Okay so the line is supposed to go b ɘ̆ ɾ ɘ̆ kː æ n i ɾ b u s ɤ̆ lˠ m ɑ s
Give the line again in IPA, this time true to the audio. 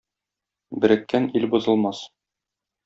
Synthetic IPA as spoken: b ɘ̆ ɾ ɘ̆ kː æ n i l b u z ɤ̆ lˠ m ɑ s